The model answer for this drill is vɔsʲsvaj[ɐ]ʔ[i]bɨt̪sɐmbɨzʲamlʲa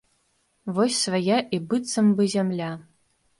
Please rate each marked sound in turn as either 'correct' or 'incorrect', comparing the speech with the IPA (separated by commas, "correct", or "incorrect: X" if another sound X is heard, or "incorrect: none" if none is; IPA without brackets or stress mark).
incorrect: a, correct